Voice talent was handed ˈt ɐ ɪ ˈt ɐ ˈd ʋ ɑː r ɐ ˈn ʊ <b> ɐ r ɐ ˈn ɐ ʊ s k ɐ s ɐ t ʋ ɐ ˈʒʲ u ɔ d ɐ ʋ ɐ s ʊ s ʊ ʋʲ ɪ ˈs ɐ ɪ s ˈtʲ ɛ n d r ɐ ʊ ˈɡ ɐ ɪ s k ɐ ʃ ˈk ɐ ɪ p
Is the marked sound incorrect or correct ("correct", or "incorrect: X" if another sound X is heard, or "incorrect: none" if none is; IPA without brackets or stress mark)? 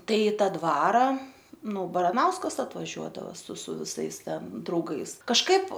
correct